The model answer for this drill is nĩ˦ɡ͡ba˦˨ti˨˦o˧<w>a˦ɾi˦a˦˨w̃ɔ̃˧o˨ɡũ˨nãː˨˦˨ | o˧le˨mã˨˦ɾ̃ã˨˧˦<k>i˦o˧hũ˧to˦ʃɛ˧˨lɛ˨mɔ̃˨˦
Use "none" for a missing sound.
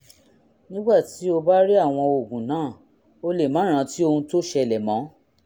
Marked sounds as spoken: b, t

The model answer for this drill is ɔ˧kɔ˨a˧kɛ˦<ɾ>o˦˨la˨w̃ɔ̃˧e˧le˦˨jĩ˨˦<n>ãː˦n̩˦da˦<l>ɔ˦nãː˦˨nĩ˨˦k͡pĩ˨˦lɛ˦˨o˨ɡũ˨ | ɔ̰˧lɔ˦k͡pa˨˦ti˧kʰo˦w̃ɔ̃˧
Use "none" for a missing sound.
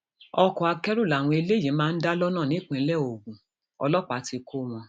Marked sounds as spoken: ɾ, m, l

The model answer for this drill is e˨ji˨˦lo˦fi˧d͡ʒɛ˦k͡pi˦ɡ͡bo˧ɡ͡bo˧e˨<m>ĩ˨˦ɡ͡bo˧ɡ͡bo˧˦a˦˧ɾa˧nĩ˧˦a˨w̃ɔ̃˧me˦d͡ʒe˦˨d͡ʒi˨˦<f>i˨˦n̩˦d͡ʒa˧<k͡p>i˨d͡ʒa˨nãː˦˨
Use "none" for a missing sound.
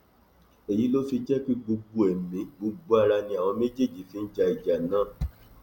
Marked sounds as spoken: m, f, none

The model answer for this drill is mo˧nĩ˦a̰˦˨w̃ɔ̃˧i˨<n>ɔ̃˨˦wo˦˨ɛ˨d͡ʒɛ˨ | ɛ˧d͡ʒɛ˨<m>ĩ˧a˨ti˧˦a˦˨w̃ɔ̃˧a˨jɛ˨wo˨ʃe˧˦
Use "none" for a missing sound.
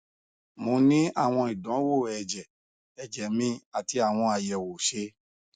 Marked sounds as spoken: d, m

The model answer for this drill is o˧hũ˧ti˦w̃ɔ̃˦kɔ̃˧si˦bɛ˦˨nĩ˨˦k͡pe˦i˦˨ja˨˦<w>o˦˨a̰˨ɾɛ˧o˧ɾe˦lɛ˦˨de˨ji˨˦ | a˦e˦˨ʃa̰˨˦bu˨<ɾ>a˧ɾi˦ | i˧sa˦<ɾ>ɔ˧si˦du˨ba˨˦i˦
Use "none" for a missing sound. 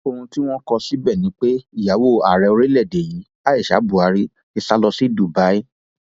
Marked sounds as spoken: w, none, l

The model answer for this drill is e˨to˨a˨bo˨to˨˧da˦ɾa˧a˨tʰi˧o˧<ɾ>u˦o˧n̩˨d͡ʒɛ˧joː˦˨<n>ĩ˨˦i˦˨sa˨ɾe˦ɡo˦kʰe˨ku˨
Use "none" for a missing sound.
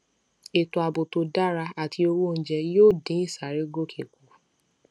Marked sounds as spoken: ɾ, d

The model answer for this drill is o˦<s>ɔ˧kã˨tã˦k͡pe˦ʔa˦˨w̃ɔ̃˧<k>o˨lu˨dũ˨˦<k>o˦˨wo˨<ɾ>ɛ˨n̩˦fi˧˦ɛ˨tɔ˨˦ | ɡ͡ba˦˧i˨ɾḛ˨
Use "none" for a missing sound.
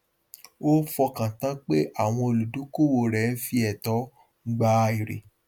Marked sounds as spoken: f, none, k, ɾ

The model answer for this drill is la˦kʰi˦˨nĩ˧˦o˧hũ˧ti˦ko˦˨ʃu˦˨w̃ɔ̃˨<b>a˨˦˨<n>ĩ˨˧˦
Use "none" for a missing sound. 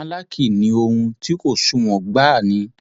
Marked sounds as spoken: ɡ͡b, n

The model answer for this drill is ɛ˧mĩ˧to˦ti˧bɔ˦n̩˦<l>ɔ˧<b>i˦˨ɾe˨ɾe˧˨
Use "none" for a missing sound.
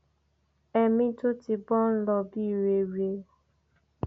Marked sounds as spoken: l, b

